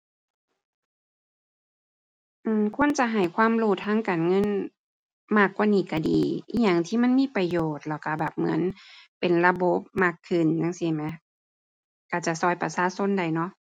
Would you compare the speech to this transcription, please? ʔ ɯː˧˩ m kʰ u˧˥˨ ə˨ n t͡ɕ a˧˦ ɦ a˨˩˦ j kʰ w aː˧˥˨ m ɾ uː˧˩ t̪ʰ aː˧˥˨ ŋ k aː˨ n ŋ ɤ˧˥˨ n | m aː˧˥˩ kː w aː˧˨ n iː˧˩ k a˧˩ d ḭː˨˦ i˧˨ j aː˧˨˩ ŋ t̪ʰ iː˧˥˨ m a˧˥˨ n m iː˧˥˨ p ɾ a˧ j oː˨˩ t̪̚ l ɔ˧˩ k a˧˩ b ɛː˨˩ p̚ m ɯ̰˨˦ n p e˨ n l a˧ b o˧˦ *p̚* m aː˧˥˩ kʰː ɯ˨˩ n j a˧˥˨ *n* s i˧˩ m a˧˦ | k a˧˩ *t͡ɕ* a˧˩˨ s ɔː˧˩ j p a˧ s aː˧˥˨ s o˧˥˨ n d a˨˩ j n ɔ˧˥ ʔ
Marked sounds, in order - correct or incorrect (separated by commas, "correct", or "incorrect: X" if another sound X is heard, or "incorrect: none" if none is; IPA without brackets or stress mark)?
correct, incorrect: ŋ, correct